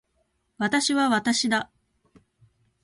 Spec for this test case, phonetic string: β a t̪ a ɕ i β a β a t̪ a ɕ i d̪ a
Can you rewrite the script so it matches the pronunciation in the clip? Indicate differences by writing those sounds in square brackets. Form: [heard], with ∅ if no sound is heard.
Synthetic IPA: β a t̪ a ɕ i β a β a t̪ a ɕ i d̪ a